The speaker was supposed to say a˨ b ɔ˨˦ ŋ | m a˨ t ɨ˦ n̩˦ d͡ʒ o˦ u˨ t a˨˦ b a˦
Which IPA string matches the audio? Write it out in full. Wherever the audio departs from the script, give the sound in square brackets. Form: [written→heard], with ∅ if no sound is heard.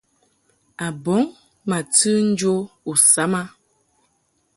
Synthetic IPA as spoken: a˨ b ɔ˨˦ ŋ | m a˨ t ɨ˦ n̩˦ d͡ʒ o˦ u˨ [t→s] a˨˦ [b→m] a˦